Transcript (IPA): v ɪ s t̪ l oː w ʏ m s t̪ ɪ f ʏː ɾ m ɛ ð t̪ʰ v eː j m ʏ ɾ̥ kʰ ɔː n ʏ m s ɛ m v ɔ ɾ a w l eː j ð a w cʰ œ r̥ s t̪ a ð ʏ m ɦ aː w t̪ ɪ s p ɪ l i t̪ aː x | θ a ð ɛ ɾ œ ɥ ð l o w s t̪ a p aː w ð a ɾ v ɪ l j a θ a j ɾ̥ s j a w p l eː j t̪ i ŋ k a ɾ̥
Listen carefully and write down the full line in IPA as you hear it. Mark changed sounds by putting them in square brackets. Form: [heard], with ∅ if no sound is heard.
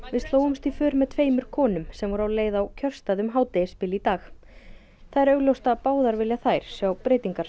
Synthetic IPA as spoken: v ɪ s t̪ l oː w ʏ m s t̪ [i] f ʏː ɾ m ɛ ð t̪ʰ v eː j m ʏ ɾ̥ kʰ ɔː n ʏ m s ɛ m v ɔ ɾ a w l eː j ð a w cʰ œ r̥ s t̪ a ð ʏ m ɦ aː w t̪ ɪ s p ɪ l i t̪ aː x | θ a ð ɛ ɾ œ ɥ [ɣ] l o w s t̪ a p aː w ð a ɾ v ɪ l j a θ a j ɾ̥ s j a w p [ɾ] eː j t̪ i ŋ k a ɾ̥